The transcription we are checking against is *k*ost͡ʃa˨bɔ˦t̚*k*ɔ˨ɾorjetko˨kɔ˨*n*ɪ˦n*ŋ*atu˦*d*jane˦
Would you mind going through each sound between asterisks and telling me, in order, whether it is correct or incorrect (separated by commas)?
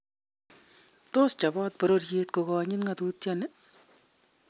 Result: incorrect, incorrect, incorrect, correct, incorrect